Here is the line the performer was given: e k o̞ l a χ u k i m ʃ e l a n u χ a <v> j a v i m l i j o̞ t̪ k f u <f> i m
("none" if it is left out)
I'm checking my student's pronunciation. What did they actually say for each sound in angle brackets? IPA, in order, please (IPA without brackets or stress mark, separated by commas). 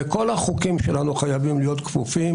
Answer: none, f